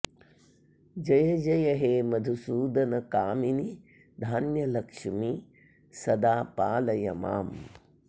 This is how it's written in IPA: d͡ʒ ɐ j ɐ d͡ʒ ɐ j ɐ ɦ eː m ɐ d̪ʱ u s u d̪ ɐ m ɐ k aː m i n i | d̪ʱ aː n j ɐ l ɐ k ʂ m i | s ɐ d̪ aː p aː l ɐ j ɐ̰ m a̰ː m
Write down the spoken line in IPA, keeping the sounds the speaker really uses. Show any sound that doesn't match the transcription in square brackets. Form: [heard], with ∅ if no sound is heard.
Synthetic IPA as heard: d͡ʒ ɐ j ɐ d͡ʒ ɐ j ɐ ɦ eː m ɐ d̪ʱ u s [uː] d̪ ɐ [n] ɐ k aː m i n i | d̪ʱ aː n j ɐ l ɐ k ʂ m i | s ɐ d̪ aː p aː l ɐ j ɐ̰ m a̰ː m